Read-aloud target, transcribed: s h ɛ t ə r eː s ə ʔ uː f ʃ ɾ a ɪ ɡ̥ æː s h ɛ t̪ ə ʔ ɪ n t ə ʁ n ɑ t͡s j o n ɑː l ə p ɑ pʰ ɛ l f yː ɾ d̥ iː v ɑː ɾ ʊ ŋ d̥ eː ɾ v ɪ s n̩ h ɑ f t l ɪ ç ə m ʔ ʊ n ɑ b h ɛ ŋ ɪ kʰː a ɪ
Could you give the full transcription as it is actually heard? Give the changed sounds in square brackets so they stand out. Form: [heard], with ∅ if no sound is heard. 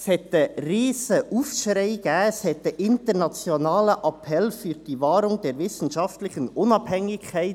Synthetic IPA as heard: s h ɛ t ə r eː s ə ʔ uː f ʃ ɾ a ɪ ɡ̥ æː s h ɛ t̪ ə ʔ ɪ n t ə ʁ n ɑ t͡s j o n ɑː l ə [ʔ] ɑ pʰ ɛ l f yː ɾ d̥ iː v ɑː ɾ ʊ ŋ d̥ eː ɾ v ɪ s n̩ [ʃ] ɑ f t l ɪ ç ə [n] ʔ ʊ n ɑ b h ɛ ŋ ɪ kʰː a ɪ